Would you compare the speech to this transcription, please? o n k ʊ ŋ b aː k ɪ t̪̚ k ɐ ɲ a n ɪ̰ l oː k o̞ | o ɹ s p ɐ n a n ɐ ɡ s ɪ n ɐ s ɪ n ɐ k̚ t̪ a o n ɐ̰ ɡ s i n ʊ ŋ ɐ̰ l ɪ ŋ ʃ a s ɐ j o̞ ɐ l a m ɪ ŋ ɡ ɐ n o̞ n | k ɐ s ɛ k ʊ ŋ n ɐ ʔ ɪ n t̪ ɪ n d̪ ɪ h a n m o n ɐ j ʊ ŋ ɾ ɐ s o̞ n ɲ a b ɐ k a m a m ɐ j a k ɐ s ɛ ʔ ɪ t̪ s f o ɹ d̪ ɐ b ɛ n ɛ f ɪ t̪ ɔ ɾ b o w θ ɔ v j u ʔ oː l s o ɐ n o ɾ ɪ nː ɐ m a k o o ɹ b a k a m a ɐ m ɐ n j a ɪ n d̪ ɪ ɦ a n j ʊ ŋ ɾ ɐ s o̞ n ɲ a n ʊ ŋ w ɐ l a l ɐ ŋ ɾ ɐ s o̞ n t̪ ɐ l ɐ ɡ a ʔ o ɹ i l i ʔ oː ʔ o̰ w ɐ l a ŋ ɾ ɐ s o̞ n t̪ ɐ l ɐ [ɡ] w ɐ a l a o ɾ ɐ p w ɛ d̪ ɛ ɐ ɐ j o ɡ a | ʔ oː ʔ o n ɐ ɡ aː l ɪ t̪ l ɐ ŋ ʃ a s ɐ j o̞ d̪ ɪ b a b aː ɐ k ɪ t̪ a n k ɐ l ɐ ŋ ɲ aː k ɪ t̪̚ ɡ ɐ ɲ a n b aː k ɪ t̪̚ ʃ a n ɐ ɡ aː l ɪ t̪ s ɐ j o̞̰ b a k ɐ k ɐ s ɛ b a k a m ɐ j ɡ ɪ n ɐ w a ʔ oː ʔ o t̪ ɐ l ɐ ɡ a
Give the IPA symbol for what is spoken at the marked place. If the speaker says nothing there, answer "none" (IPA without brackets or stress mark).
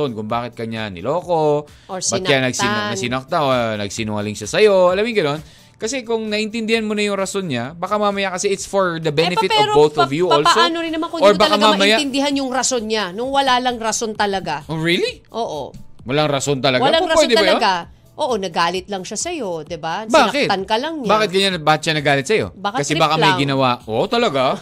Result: ɡ